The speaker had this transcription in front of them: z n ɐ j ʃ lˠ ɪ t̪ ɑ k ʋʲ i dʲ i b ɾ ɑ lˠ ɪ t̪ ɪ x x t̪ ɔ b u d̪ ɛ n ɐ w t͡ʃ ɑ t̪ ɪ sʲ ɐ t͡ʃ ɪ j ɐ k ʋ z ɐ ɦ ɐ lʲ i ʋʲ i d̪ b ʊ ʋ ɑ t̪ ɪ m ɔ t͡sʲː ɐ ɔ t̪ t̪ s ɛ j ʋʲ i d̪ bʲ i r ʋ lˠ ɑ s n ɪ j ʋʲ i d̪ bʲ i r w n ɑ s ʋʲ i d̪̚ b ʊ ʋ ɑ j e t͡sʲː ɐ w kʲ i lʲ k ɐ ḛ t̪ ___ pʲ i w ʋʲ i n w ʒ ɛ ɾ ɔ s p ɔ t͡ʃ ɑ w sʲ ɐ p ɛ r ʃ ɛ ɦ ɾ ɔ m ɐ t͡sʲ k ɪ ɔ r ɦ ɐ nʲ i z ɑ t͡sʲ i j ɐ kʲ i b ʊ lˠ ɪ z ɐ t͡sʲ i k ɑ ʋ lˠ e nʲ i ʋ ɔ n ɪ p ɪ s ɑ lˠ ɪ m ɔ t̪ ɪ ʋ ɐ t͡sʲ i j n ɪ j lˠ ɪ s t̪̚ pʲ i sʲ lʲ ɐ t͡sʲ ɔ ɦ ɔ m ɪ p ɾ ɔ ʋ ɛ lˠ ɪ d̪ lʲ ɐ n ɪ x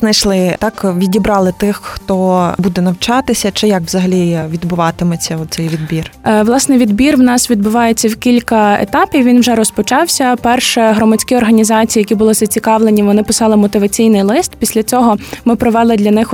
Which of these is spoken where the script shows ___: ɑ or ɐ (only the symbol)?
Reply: ɑ